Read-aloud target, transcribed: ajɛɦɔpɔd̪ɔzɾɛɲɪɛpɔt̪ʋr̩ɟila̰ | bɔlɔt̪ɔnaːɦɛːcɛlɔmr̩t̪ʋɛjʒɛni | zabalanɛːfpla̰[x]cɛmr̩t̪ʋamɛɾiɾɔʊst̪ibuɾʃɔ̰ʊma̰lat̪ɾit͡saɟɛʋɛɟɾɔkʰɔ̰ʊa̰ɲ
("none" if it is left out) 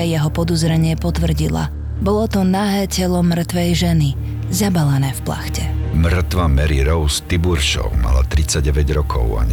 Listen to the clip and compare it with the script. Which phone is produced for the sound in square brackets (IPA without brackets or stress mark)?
x